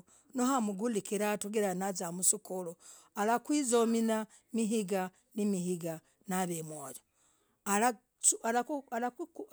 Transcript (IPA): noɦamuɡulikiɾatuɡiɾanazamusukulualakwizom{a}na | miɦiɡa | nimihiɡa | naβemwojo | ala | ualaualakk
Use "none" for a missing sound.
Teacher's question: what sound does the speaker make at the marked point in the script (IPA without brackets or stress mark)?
i